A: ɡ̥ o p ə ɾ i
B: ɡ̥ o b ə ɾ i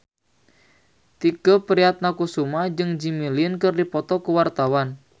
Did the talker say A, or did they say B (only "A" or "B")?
A